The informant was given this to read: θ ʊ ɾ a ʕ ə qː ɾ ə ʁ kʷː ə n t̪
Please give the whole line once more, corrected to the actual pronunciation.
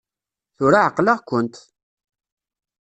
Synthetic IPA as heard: θ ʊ ɾ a ʕ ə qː l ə ʁ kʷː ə n t̪